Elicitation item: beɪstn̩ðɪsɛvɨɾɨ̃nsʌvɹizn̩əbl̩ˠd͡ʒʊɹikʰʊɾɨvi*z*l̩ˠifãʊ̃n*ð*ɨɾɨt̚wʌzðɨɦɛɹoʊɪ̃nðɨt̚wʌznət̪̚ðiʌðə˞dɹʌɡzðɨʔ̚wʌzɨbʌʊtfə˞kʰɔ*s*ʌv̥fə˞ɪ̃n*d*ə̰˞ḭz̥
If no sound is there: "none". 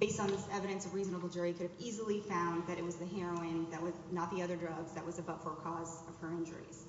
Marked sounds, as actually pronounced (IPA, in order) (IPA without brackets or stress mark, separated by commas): z, ð, z, d͡ʒ